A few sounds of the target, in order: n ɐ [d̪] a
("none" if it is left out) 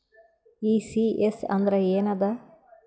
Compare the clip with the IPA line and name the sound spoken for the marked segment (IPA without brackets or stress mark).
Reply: d̪